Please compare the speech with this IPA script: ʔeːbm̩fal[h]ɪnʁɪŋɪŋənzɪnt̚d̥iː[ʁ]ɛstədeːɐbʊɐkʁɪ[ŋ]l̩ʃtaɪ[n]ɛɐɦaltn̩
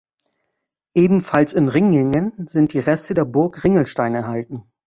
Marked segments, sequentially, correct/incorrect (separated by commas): incorrect, correct, correct, correct